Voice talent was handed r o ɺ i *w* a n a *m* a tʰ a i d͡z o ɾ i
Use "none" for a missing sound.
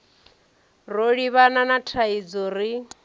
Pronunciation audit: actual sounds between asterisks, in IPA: β, n

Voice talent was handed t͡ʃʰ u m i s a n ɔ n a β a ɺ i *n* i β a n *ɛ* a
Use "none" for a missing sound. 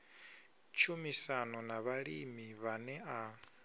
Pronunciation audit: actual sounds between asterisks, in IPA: m, ɛ

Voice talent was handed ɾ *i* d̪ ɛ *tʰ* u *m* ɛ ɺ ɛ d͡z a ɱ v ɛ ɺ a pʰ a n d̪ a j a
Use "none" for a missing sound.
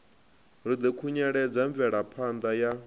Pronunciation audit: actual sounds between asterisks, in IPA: i, kʰ, ɲ

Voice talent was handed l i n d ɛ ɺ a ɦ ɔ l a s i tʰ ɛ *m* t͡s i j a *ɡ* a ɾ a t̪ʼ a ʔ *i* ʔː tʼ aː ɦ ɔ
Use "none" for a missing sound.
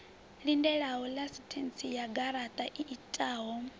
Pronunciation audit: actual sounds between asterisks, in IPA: n, ɡ, i

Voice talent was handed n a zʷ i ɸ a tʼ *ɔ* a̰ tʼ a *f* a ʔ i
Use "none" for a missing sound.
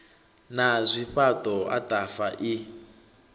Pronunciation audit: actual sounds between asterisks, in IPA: ɔ, f

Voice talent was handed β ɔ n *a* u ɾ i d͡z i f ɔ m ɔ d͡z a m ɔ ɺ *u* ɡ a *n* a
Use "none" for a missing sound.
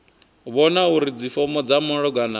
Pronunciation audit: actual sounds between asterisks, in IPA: a, ɔ, n

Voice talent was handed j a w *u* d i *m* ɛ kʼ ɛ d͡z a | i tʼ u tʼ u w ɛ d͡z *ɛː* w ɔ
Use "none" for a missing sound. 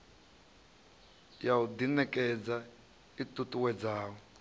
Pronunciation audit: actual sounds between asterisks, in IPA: u, n, aː

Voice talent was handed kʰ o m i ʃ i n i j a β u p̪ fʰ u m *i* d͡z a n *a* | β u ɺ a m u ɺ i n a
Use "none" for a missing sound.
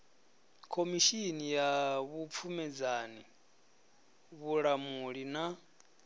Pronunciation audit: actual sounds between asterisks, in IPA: ɛ, i

